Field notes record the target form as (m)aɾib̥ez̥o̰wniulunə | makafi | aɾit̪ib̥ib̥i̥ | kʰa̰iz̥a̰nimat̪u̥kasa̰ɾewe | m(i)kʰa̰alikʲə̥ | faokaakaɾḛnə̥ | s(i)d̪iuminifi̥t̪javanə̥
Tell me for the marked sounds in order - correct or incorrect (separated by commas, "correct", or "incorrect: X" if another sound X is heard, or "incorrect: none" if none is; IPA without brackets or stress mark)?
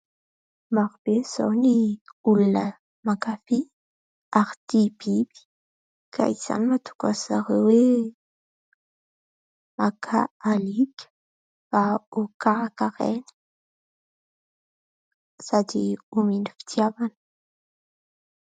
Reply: correct, incorrect: a, incorrect: a